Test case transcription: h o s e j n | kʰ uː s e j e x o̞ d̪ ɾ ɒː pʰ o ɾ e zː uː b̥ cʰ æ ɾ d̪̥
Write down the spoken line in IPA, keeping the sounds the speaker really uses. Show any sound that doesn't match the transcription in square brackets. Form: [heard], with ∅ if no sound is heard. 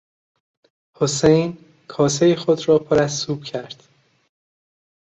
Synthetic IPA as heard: h o s e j n | kʰ [ɒː] s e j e x o̞ d̪ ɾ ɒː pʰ o ɾ [æ] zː uː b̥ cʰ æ ɾ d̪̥